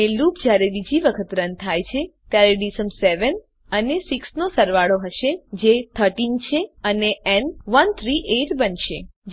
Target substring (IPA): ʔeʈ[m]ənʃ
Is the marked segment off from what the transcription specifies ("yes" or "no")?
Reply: yes